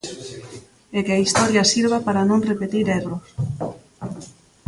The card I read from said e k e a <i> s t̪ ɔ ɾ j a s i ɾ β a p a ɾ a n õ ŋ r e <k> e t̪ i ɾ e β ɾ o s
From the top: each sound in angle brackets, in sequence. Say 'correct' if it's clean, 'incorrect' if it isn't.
correct, incorrect: p

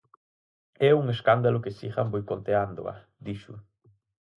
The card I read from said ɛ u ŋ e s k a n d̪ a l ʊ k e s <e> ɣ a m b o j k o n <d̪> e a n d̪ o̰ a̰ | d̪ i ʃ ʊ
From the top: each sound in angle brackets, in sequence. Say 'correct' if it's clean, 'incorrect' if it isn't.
incorrect: i, incorrect: t̪

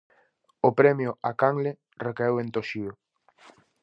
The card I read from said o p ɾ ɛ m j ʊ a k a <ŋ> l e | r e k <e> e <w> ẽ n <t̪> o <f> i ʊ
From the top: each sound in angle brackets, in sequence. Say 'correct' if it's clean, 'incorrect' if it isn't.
correct, incorrect: a, correct, correct, incorrect: ʃ

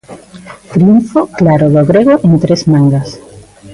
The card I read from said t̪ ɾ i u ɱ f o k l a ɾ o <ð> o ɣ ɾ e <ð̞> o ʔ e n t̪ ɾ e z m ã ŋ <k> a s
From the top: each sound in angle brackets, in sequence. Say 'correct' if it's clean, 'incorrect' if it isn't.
correct, incorrect: ɣ̞, incorrect: ɡ

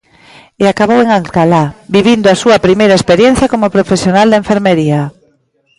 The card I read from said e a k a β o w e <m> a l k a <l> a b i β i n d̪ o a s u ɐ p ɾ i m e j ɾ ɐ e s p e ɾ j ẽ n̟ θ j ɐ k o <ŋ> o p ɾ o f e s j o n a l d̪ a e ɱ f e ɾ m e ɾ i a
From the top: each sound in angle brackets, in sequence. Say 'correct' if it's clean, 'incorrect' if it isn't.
incorrect: ŋ, correct, incorrect: m

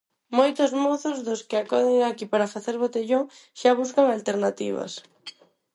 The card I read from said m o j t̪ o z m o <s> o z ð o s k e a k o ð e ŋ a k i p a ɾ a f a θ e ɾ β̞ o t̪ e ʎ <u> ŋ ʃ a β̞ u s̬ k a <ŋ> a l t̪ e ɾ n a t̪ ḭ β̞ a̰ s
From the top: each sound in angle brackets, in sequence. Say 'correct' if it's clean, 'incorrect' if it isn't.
incorrect: θ, incorrect: o, correct

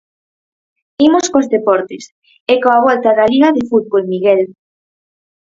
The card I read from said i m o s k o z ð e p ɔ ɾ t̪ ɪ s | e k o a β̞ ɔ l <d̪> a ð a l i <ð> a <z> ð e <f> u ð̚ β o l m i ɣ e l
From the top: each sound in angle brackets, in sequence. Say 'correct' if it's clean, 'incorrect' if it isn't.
incorrect: t̪, incorrect: ɣ, incorrect: none, correct

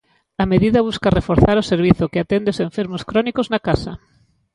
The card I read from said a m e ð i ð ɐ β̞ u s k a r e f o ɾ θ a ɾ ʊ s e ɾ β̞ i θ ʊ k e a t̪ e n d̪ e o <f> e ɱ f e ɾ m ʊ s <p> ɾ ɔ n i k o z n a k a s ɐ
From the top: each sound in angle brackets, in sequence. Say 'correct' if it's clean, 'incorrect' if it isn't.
incorrect: s, incorrect: k

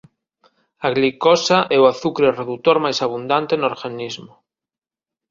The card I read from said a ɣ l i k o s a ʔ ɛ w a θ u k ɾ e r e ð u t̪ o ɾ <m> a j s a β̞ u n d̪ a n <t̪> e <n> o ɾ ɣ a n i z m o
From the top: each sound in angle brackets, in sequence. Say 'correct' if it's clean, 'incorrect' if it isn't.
correct, correct, correct

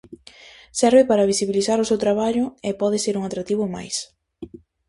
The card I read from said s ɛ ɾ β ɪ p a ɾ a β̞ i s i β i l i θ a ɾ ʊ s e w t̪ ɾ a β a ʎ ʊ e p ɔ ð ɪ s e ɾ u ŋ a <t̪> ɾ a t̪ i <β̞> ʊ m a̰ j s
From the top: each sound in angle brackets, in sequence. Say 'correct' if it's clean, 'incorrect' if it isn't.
correct, correct

